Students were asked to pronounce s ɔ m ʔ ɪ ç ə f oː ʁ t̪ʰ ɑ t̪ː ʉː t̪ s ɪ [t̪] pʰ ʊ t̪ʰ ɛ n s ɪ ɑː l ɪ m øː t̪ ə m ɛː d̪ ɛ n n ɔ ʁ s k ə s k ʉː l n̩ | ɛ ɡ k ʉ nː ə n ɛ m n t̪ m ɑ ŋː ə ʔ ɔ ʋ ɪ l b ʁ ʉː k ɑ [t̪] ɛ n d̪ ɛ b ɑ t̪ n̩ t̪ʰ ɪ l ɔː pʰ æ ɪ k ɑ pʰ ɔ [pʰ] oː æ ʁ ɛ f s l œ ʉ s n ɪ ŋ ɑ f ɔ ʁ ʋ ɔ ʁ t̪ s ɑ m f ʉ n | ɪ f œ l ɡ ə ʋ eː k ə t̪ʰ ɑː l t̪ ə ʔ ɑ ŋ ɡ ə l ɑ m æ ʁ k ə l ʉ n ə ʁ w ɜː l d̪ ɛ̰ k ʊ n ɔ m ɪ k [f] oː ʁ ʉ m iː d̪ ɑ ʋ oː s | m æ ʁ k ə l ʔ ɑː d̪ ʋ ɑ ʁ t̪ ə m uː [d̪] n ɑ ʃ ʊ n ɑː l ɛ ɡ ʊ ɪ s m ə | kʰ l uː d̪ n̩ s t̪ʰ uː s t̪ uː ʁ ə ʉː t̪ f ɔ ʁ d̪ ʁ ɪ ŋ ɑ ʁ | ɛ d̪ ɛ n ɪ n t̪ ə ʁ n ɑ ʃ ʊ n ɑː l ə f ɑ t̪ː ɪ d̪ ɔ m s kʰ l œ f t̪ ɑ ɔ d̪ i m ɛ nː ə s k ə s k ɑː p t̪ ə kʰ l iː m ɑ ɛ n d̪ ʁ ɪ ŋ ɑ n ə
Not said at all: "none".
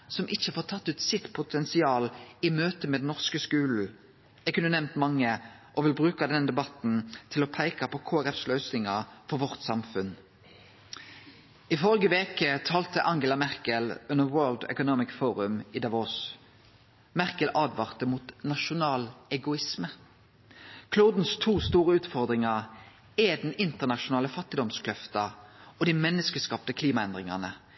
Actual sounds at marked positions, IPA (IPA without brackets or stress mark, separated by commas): t̪, d̪, kʰ, f, t̪